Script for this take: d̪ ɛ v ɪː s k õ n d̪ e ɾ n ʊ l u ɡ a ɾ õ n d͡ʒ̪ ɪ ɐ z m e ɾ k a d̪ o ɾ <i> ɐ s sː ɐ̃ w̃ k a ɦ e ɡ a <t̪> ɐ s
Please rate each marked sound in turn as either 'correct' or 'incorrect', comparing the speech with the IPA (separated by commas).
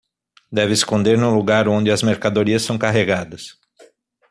correct, incorrect